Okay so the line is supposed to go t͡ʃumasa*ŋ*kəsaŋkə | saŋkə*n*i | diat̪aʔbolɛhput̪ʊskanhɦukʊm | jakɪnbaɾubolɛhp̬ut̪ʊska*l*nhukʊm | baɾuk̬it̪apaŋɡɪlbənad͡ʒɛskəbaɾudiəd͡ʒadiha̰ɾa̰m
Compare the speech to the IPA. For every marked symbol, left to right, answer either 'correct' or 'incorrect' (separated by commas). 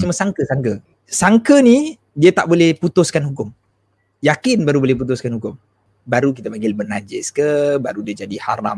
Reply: correct, correct, incorrect